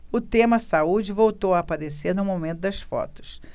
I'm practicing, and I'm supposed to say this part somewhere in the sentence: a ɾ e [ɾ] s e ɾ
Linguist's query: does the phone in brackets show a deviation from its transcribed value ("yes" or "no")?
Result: yes